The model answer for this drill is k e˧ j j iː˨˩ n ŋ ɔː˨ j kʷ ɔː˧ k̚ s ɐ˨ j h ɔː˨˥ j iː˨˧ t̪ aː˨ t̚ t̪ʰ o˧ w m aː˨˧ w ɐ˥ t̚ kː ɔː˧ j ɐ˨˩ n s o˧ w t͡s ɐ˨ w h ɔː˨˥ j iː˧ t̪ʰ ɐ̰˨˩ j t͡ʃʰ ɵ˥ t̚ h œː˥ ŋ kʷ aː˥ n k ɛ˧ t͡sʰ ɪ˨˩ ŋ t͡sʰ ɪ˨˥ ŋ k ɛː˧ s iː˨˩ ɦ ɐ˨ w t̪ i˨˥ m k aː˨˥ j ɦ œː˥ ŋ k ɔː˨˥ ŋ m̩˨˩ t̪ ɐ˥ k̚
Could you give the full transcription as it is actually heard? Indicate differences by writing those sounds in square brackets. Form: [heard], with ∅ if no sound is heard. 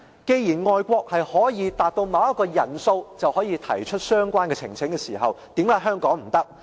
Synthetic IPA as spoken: k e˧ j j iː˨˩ n ŋ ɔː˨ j kʷ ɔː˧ k̚ [h] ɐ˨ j h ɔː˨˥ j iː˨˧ t̪ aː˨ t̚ [t̪] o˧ w m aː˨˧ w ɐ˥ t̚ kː ɔː˧ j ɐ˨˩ n s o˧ w t͡s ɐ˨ w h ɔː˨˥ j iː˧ t̪ʰ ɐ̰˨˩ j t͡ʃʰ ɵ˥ t̚ [s] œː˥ ŋ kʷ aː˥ n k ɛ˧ t͡sʰ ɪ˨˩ ŋ t͡sʰ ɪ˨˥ ŋ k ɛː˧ s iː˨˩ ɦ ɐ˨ w t̪ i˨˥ m k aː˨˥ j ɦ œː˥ ŋ k ɔː˨˥ ŋ m̩˨˩ t̪ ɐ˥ k̚

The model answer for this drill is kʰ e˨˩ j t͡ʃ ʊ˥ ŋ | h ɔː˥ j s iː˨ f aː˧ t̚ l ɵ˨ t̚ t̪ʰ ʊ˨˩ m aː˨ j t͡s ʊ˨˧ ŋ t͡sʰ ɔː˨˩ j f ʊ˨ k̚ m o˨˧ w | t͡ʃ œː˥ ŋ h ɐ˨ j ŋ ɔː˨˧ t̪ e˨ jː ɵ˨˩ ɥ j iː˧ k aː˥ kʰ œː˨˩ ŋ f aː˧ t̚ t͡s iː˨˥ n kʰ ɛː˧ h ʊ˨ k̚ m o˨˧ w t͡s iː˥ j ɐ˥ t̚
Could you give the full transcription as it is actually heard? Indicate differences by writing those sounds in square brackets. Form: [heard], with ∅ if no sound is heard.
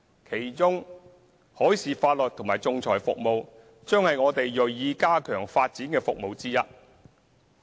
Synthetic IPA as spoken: kʰ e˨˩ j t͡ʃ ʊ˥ ŋ | h [ɔː˨˥] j s iː˨ f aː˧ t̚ l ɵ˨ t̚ t̪ʰ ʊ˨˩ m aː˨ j t͡s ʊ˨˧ ŋ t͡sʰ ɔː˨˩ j f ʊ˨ k̚ m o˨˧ w | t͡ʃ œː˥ ŋ h ɐ˨ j ŋ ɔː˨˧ t̪ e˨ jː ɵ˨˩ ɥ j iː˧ k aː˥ kʰ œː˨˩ ŋ f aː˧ t̚ t͡s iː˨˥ n [k] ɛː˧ [f] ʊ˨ k̚ m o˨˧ w t͡s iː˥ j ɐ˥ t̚

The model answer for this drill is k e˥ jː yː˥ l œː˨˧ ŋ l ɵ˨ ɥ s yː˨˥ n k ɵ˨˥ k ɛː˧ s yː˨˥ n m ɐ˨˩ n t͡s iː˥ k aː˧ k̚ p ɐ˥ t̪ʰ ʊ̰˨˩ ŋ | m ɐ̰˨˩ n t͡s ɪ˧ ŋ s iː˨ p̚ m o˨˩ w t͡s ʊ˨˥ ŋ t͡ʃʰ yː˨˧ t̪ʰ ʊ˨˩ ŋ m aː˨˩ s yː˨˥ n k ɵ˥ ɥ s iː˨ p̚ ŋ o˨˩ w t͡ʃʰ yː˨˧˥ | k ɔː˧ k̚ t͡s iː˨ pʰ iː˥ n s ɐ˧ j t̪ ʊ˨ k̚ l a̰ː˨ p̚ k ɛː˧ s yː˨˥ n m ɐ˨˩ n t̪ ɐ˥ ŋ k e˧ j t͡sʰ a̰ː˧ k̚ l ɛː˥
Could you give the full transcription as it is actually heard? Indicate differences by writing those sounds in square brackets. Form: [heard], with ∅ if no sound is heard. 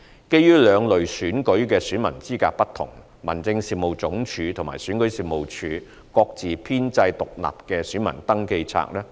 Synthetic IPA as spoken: k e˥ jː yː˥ l œː˨˧ ŋ l ɵ˨ ɥ s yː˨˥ n k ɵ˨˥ k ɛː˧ s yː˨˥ n m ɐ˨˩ n t͡s iː˥ k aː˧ k̚ p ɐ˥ t̪ʰ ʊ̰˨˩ ŋ | m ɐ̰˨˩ n t͡s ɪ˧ ŋ s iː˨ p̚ m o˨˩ w t͡s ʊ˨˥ ŋ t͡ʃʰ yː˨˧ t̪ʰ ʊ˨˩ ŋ m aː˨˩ s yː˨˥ n k [ɵ˨˥] ɥ s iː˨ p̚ [m] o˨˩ w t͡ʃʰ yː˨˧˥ | k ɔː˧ k̚ t͡s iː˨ pʰ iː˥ n [t͡s] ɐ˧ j t̪ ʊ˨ k̚ l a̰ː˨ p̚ k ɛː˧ s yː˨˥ n m ɐ˨˩ n t̪ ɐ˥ ŋ k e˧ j t͡sʰ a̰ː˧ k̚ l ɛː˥

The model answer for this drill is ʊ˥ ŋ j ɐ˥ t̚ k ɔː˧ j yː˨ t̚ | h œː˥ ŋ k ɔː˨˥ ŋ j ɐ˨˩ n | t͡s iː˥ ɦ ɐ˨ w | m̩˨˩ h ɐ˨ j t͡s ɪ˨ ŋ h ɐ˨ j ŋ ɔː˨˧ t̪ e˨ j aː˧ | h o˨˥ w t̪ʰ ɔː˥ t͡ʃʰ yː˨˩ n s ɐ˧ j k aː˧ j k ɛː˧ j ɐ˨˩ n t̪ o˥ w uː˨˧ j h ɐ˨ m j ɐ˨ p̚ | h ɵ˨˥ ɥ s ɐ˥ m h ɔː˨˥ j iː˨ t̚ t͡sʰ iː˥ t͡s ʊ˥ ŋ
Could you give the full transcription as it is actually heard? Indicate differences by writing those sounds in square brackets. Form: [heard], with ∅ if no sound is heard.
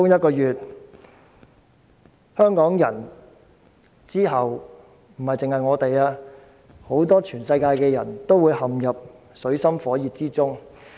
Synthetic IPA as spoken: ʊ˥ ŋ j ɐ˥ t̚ k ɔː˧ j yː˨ t̚ | h œː˥ ŋ k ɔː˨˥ ŋ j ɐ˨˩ n | t͡s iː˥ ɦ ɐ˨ w | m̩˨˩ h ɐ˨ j t͡s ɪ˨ ŋ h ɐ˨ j ŋ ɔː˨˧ t̪ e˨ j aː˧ | h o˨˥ w [t̪] ɔː˥ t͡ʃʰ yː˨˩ n s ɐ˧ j k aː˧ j k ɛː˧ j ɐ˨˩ n t̪ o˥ w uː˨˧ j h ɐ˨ m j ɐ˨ p̚ | [s] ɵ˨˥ ɥ s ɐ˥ m [f] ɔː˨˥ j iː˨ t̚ [t͡s] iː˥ t͡s ʊ˥ ŋ

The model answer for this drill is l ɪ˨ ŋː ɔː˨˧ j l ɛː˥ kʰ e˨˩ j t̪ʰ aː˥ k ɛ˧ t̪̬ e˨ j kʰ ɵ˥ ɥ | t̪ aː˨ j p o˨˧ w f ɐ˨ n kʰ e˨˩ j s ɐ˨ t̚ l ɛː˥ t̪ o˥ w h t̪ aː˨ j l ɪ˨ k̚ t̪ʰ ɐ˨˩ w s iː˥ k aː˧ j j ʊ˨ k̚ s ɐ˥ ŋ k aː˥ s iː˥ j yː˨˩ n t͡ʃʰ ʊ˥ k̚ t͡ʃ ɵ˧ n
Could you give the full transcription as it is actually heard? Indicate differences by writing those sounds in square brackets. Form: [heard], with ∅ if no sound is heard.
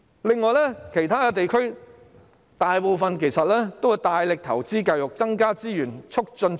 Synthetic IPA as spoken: l ɪ˨ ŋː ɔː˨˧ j l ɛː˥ kʰ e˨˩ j t̪ʰ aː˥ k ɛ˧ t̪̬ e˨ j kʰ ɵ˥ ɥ | t̪ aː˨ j p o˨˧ w f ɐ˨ n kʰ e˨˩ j s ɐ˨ t̚ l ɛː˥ t̪ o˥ w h t̪ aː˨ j l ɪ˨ k̚ t̪ʰ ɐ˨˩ w [t͡s] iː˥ k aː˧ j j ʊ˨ k̚ [t͡s] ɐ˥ ŋ k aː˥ [t͡s] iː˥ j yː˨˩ n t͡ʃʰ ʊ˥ k̚ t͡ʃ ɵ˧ n

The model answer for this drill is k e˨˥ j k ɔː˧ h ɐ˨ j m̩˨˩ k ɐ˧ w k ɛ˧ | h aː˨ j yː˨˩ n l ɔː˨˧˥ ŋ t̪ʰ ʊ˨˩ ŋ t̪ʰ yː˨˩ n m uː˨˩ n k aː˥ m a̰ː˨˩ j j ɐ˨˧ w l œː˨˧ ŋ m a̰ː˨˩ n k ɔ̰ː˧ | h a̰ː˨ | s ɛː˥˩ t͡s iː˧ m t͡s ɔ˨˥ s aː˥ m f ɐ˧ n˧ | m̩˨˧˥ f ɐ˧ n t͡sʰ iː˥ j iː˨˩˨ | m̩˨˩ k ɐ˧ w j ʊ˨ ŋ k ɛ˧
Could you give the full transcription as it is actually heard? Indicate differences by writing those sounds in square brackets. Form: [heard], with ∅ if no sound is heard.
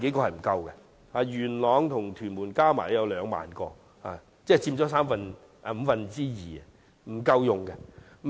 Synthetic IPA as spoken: k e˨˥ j k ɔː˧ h ɐ˨ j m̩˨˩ k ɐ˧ w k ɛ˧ | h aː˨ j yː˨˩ n l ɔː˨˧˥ ŋ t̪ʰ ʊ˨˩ ŋ t̪ʰ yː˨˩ n m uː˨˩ n k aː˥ m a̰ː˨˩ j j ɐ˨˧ w l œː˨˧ ŋ m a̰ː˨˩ n k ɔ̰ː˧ | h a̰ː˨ | [t͡s] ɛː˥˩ t͡s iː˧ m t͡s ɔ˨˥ s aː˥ m f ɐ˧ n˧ | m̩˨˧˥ f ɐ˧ n [t͡s] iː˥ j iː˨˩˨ | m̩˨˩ k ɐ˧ w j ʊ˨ ŋ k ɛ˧

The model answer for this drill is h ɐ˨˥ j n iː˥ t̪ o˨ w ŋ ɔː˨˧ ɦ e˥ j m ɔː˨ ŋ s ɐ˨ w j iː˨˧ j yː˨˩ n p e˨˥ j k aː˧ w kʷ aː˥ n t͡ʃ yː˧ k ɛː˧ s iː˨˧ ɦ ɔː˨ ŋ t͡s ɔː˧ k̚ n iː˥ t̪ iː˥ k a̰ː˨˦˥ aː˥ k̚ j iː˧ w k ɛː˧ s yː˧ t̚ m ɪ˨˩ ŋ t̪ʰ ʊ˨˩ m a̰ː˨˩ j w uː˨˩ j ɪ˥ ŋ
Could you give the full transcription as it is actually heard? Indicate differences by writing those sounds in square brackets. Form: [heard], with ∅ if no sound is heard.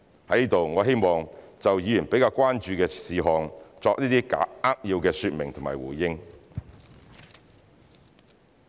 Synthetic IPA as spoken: h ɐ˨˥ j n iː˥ t̪ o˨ w ŋ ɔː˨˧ ɦ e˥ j m ɔː˨ ŋ [t͡s] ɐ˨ w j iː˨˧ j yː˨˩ n p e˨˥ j k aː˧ w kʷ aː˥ n t͡ʃ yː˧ k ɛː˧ s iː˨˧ ɦ ɔː˨ ŋ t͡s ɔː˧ k̚ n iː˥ t̪ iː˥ k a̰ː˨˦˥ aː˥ k̚ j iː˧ w k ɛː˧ s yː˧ t̚ m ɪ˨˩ ŋ t̪ʰ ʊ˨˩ m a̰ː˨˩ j w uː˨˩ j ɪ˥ ŋ

